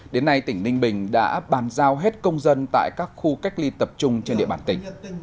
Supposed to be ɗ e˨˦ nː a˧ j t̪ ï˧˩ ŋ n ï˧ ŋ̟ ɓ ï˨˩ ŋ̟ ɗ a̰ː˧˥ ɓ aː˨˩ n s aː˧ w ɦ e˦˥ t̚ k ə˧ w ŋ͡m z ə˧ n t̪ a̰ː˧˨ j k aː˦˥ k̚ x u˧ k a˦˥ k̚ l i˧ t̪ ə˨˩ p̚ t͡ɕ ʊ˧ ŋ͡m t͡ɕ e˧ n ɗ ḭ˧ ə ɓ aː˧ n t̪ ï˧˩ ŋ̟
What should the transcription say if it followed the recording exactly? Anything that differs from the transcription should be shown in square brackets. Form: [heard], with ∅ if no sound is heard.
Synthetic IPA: ɗ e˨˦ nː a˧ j t̪ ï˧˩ ŋ n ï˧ ŋ̟ ɓ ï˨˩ ŋ̟ ɗ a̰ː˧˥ ɓ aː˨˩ n [z] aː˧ w ɦ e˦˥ t̚ k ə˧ w ŋ͡m z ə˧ n t̪ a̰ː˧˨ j k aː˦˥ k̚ x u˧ k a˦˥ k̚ l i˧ t̪ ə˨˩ p̚ t͡ɕ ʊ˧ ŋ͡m t͡ɕ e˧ n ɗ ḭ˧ ə ɓ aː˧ n t̪ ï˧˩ ŋ̟

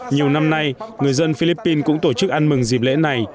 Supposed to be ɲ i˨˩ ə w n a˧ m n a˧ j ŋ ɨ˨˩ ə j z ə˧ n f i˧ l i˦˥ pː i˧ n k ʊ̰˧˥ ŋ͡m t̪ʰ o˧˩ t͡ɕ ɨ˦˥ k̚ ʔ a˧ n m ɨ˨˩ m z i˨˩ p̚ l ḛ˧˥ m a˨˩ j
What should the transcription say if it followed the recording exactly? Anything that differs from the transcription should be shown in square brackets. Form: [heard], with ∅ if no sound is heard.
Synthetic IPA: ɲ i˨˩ ə w n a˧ m n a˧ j ŋ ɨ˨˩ ə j z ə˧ n f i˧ l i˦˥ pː i˧ n k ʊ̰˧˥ ŋ͡m [t̪] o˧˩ t͡ɕ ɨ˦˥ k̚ ʔ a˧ n m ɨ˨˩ [ŋ] z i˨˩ p̚ l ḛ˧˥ [n] a˨˩ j

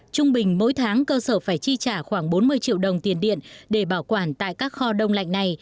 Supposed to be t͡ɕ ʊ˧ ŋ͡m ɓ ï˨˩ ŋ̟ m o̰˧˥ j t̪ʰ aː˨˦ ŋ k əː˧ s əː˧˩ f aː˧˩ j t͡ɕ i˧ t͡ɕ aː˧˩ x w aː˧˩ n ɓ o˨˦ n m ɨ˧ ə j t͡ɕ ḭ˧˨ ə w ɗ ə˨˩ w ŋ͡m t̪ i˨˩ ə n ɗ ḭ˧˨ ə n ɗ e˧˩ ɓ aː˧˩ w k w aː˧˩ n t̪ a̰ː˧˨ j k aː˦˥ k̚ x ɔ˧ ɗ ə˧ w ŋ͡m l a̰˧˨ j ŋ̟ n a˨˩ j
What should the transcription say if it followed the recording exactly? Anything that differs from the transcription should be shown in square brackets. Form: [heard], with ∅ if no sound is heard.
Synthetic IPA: t͡ɕ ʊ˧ ŋ͡m ɓ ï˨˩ ŋ̟ m o̰˧˥ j t̪ʰ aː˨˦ ŋ k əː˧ s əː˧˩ f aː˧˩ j t͡ɕ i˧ t͡ɕ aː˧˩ x w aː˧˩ [ŋ] ɓ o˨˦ n m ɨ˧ ə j t͡ɕ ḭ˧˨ ə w ɗ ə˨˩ w ŋ͡m t̪ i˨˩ ə n ɗ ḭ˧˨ ə n ɗ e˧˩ ɓ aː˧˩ w k w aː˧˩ n t̪ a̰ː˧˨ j k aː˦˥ k̚ x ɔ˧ ɗ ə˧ w ŋ͡m l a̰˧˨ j ŋ̟ n a˨˩ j

